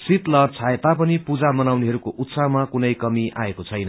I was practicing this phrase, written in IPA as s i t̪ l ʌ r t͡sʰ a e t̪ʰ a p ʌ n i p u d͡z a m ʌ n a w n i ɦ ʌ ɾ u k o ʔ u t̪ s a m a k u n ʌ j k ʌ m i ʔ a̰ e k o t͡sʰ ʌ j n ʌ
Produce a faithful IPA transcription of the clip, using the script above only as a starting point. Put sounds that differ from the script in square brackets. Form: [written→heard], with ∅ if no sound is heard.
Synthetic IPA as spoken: s i t̪ l ʌ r t͡sʰ a e [t̪ʰ→t̪] a p ʌ n i p u d͡z a m ʌ n a w n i ɦ ʌ ɾ u k o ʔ u t̪ s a m a k u n ʌ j k ʌ m i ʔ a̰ e k o t͡sʰ ʌ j n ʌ